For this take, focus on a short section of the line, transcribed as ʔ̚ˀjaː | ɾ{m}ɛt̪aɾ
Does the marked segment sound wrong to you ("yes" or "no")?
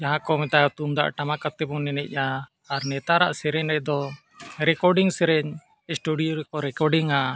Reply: yes